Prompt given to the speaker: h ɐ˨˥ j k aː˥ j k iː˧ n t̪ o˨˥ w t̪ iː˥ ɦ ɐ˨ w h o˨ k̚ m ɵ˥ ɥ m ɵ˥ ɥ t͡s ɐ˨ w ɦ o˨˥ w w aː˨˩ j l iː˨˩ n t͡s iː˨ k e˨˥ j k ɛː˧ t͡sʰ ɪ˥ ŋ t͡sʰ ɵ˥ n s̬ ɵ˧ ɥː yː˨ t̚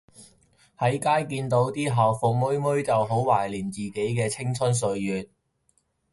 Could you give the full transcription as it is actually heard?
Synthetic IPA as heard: h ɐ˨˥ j k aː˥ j k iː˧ n t̪ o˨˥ w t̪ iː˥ ɦ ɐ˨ w f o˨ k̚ m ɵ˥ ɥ m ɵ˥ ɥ t͡s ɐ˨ w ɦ o˨˥ w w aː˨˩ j l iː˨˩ n t͡s iː˨ k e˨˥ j k ɛː˧ t͡sʰ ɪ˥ ŋ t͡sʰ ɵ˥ n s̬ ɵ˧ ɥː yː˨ t̚